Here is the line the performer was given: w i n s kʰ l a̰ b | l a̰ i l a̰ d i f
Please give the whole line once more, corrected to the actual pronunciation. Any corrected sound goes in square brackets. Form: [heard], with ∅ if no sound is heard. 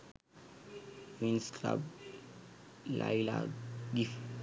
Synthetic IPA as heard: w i n s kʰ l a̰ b | l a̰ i l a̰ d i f